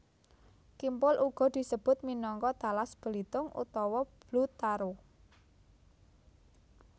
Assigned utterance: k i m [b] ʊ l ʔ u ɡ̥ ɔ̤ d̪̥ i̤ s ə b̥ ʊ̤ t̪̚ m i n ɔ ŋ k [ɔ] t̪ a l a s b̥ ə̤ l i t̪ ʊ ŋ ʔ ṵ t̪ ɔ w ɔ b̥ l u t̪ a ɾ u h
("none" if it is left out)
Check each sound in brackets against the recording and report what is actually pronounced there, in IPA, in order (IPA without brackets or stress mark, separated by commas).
p, ɔ